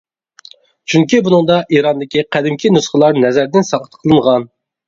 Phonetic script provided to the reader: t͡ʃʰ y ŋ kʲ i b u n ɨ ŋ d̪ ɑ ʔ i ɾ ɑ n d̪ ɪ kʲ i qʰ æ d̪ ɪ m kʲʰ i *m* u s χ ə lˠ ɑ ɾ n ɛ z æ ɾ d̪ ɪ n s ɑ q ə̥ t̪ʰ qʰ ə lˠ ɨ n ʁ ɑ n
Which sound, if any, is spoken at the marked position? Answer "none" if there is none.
n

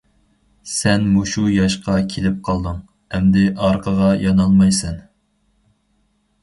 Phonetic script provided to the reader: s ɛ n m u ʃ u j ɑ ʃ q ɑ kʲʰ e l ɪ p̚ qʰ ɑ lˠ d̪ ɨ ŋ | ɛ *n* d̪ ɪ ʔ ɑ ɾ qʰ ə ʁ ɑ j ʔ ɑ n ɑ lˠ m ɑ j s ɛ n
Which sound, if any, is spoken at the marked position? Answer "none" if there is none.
m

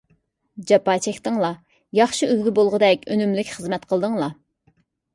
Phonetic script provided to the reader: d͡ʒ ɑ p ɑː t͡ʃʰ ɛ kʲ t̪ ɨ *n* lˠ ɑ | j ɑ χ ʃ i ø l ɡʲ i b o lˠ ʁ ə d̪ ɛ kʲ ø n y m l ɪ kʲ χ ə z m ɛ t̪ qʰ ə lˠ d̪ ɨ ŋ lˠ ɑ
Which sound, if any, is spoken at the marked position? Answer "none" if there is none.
ŋ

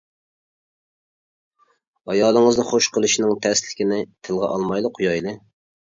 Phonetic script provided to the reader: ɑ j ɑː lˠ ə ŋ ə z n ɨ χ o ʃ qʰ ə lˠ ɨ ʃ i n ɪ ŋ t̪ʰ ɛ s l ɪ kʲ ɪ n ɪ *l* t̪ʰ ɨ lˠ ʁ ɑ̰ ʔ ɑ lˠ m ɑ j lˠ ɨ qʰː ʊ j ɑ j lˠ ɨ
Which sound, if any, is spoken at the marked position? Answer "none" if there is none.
none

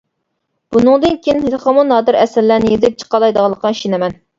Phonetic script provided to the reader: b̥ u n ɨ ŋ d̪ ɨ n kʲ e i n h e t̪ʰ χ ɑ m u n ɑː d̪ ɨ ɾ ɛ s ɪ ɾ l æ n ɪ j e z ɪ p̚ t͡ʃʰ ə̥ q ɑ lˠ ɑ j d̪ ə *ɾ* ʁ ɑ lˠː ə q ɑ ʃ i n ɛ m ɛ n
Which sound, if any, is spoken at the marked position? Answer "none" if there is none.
none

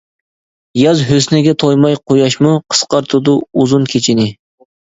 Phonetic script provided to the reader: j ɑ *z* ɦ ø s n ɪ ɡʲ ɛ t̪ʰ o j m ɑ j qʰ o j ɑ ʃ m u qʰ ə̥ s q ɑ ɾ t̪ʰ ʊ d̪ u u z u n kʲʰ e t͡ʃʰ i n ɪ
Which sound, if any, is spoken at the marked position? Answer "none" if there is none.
z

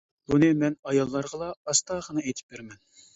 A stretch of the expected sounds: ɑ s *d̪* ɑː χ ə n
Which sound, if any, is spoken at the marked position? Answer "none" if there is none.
t̪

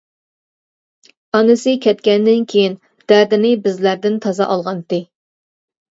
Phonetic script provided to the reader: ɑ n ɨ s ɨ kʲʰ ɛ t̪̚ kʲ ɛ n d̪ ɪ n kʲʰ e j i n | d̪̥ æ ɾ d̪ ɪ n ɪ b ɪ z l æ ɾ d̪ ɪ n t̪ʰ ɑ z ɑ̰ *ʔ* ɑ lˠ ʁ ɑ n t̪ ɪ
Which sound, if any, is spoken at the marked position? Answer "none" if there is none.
ʔ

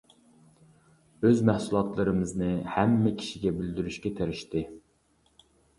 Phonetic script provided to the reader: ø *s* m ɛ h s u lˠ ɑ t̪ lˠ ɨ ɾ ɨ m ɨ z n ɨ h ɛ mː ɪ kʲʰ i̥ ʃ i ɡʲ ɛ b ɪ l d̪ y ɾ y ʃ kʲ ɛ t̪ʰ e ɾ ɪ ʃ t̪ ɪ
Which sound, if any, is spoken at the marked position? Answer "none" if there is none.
z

